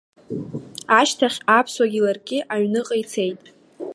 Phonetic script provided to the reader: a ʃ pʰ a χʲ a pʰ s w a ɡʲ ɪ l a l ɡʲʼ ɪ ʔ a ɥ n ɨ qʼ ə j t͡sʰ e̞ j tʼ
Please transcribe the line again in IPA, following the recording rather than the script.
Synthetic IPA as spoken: a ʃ tʰ a χʲ a pʰ s w a ɡʲ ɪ l a r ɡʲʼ ɪ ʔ a ɥ n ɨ qʼ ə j t͡sʰ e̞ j tʼ

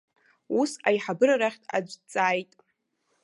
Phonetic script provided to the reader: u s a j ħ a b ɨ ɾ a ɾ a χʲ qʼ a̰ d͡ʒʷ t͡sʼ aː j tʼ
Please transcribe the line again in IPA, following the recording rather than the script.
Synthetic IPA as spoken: u s a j ħ a b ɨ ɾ a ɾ a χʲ tʼ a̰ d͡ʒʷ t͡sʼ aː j tʼ

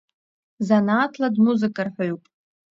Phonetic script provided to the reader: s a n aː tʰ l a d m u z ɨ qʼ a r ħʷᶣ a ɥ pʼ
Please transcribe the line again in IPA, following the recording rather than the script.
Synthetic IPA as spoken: z a n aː tʰ l a d m u z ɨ kʼ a r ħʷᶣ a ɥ pʼ

